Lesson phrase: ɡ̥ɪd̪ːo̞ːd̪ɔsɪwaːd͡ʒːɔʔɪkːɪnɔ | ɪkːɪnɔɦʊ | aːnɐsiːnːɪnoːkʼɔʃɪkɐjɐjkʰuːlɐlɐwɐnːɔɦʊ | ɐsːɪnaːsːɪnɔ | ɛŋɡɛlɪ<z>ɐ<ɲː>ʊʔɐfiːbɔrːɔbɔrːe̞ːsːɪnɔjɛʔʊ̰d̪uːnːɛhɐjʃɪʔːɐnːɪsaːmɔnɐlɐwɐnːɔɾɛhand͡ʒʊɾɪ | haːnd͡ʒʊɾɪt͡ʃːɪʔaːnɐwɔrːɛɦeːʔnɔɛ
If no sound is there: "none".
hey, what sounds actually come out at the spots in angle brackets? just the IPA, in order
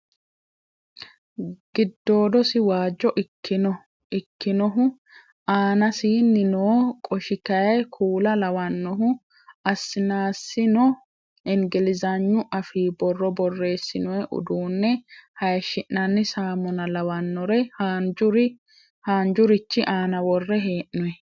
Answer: z, ɲː

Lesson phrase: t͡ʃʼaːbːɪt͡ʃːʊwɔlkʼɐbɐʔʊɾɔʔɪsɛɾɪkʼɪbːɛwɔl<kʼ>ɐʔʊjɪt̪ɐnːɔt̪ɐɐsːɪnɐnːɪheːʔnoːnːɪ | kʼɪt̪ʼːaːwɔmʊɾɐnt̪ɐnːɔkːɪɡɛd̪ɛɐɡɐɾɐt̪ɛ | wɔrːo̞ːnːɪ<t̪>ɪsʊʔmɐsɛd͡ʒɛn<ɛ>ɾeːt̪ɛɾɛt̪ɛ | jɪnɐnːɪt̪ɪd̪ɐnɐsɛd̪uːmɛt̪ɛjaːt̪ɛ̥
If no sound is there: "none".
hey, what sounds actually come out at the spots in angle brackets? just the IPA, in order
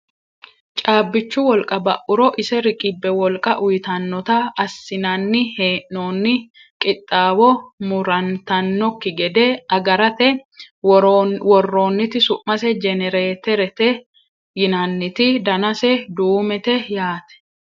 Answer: kʼ, t̪, ɛ

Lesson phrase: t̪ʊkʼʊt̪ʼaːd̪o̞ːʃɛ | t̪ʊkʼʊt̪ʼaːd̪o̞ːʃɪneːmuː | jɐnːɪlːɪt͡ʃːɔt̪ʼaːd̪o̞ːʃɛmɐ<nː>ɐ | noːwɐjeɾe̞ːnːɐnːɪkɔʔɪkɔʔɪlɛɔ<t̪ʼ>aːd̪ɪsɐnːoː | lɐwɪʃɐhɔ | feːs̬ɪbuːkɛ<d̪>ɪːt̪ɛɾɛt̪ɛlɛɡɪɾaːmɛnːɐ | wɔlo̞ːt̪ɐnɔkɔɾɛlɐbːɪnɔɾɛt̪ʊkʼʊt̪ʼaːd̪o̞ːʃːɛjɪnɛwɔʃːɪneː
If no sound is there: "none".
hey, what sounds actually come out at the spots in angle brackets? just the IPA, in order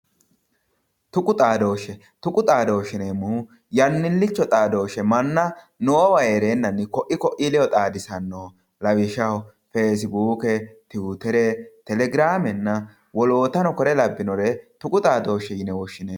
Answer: nː, t̪ʼ, t̪

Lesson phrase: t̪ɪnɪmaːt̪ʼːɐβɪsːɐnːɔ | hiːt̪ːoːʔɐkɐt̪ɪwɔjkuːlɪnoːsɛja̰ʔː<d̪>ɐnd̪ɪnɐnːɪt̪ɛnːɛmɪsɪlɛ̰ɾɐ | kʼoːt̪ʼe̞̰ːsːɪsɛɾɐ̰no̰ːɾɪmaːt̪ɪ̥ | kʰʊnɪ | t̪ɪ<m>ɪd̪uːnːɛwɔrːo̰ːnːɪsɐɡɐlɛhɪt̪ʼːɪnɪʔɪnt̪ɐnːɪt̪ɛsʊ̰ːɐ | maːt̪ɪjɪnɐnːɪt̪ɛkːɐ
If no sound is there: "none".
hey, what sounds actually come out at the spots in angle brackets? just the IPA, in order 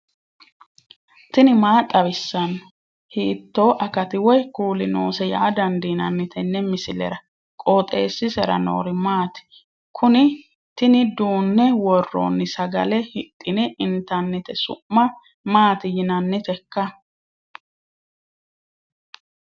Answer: d̪, n

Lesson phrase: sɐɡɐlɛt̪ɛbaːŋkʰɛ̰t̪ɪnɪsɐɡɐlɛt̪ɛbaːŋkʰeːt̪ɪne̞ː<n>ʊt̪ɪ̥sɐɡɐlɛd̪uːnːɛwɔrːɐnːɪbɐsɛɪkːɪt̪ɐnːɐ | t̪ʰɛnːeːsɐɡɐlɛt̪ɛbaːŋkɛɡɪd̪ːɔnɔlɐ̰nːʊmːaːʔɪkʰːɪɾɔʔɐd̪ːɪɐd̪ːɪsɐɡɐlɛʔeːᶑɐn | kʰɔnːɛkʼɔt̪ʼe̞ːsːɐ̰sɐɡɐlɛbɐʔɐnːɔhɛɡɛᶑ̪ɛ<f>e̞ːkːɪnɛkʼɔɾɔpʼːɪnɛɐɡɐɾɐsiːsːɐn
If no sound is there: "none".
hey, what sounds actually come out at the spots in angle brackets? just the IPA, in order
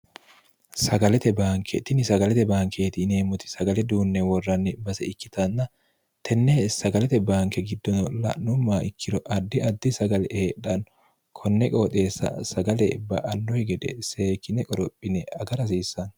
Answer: m, s

